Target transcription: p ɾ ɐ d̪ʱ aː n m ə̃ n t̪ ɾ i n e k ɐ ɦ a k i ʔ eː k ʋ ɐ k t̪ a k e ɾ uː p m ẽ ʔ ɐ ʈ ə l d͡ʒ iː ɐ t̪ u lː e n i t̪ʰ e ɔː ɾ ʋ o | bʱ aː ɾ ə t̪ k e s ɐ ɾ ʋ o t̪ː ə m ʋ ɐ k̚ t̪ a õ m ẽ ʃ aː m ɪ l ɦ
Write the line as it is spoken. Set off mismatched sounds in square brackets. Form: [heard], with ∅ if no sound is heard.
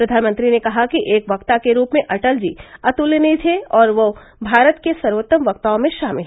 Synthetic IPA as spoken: p ɾ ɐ d̪ʱ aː n m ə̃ n t̪ ɾ i n e k ɐ ɦ a k i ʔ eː k ʋ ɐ k t̪ a k e ɾ uː p m ẽ ʔ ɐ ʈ ə l d͡ʒ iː ɐ t̪ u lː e n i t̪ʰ e ɔː ɾ ʋ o | bʱ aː ɾ ə t̪ k e s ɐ ɾ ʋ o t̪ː ə m ʋ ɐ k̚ t̪ a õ m ẽ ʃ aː m ɪ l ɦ